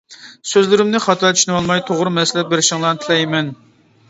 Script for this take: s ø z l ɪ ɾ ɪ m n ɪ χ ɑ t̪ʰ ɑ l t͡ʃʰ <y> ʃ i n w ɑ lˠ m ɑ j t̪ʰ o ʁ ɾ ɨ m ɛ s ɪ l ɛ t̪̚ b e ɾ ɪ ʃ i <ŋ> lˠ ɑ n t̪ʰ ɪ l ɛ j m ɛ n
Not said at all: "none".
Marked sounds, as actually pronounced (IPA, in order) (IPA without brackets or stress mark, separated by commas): y, ŋ